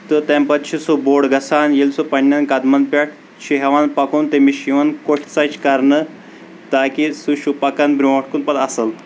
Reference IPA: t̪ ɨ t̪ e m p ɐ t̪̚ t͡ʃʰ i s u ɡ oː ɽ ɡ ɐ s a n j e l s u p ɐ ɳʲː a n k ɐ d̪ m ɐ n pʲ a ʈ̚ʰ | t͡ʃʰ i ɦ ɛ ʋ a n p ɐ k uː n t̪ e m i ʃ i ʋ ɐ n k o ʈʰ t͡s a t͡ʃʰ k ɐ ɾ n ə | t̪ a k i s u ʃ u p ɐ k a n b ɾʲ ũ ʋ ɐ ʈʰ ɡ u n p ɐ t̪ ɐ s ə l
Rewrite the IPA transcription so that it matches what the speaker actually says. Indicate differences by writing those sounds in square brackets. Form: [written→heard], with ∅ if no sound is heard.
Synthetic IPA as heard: t̪ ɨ t̪ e m p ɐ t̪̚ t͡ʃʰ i s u [ɡ→b] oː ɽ ɡ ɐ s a n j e l s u p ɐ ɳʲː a n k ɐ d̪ m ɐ n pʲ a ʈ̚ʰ | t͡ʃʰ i ɦ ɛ ʋ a n p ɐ k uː n t̪ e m i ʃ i ʋ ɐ n k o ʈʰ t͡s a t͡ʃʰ k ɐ ɾ n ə | t̪ a k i s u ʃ u p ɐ k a n b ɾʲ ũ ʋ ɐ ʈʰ [ɡ→k] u n p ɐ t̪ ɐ s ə l